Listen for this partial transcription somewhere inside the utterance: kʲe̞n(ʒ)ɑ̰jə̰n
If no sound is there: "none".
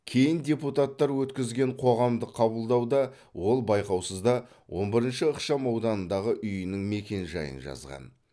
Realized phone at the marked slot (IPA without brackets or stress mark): ʒ